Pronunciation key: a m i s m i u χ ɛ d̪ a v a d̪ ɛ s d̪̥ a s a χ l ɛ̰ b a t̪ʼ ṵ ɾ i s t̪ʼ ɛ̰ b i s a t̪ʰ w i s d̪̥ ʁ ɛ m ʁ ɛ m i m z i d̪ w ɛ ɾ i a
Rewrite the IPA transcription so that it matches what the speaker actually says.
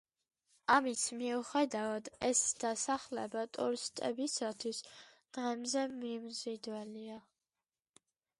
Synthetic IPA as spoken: a m i s m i u χ ɛ d̪ a v a d̪ ɛ s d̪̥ a s a χ l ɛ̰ b a t̪ʼ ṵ ɾ i s t̪ʼ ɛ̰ b i s a t̪ʰ w i s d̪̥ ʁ ɛ m z ɛ m i m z i d̪ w ɛ l i a

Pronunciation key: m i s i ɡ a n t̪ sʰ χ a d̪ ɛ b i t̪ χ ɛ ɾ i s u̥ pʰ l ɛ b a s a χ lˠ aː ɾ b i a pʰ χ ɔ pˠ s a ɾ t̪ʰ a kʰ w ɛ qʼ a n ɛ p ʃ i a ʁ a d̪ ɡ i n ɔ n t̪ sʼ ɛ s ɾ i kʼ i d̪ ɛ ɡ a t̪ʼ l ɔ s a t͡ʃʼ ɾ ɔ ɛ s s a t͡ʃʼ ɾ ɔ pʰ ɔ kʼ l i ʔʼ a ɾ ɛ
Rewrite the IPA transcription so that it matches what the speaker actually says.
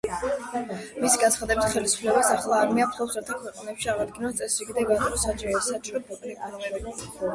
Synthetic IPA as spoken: m i s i ɡ a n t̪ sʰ χ a d̪ ɛ b i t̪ χ ɛ l i s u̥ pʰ l ɛ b a s a χ lˠ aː ɾ m i a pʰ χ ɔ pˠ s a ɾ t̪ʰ a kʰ w ɛ qʼ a n ɛ p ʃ i a ʁ a d̪ ɡ i n ɔ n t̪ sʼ ɛ s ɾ i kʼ i d̪ ɛ ɡ a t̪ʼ ɾ ɔ s a t͡ʃʼ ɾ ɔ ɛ s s a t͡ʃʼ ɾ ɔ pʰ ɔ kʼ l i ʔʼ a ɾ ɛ

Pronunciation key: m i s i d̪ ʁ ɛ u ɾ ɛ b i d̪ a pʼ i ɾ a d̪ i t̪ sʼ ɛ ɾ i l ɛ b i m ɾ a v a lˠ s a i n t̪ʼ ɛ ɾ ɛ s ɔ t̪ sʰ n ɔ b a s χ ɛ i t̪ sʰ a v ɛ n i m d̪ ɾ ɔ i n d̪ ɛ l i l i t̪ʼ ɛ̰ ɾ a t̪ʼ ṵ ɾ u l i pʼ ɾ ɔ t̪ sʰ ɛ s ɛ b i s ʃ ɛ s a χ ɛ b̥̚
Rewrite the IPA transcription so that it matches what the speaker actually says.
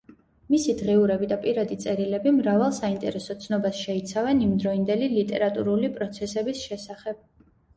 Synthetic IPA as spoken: m i s i d̪ ʁ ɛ u ɾ ɛ b i d̪ a pʼ i ɾ a d̪ i t̪ sʼ ɛ ɾ i l ɛ b i m ɾ a v a lˠ s a i n t̪ʼ ɛ ɾ ɛ s ɔ t̪ sʰ n ɔ b a s ʃ ɛ i t̪ sʰ a v ɛ n i m d̪ ɾ ɔ i n d̪ ɛ l i l i t̪ʼ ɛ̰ ɾ a t̪ʼ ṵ ɾ u l i pʼ ɾ ɔ t̪ sʰ ɛ s ɛ b i s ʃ ɛ s a χ ɛ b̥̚

